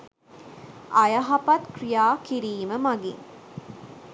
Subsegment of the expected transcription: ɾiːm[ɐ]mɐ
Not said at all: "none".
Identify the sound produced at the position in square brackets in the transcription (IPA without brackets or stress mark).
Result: ə